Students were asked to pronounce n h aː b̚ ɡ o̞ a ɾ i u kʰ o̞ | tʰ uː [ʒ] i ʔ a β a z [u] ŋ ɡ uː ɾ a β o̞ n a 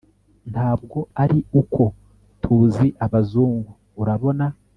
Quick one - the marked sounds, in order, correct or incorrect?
incorrect, incorrect

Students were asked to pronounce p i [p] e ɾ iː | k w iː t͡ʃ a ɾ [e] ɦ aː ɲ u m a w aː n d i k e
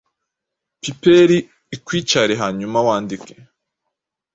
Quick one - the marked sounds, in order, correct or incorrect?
correct, correct

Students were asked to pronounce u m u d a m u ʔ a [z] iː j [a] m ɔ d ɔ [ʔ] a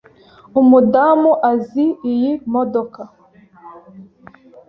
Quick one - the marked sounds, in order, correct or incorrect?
correct, incorrect, incorrect

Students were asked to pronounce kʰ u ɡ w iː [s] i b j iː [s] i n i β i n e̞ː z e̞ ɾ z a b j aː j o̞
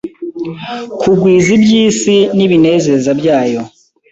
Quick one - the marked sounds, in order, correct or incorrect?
incorrect, correct

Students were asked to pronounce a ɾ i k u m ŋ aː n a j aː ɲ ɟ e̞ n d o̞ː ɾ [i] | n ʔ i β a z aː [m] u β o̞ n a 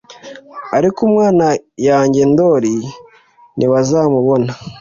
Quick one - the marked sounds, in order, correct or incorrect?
correct, correct

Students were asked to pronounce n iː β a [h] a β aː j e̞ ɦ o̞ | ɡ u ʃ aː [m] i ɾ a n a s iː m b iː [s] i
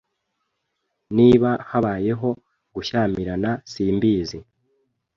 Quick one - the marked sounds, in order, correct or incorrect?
correct, correct, incorrect

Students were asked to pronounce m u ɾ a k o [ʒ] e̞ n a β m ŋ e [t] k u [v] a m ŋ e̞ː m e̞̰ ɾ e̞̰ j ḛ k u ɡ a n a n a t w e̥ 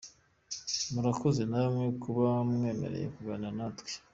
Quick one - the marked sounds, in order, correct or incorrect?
incorrect, incorrect, incorrect

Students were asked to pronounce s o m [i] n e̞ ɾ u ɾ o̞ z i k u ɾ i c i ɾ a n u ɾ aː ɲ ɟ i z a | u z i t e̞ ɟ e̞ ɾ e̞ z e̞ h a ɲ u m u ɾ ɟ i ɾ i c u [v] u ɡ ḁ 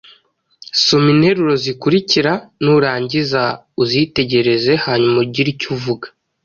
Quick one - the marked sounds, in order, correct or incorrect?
correct, correct

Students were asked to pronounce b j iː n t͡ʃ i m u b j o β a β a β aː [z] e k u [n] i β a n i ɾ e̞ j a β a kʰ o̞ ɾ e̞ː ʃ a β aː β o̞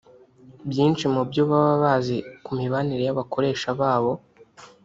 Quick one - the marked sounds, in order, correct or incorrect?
correct, incorrect

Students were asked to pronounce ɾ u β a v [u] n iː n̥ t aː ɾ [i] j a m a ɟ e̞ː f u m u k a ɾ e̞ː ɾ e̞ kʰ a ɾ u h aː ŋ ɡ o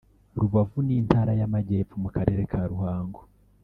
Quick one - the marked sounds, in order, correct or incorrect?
correct, incorrect

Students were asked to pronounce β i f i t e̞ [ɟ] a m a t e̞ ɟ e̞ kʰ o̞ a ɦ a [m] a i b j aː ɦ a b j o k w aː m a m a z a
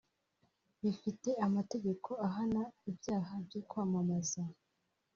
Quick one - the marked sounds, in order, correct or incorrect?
incorrect, incorrect

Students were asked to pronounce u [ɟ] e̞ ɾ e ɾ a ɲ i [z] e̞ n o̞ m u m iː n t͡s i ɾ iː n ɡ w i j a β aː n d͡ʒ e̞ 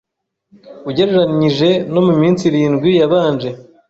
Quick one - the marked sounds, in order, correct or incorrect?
correct, incorrect

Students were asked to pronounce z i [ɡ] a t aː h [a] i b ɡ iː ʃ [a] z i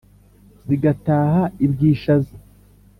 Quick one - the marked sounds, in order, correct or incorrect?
correct, correct, correct

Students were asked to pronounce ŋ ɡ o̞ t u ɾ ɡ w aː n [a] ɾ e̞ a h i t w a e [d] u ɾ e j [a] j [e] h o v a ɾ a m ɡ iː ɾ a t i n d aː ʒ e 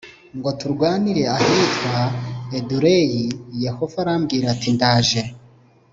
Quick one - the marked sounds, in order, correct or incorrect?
incorrect, correct, incorrect, correct

